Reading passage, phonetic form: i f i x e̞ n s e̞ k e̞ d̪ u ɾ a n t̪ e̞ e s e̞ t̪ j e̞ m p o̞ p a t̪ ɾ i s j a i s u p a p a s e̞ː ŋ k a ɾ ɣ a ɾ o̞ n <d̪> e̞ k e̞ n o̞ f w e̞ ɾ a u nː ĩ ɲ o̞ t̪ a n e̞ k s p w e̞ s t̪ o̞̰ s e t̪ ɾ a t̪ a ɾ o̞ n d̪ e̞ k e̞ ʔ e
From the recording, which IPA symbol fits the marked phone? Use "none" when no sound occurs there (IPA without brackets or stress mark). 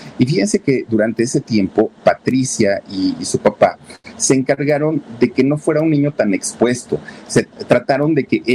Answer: d̪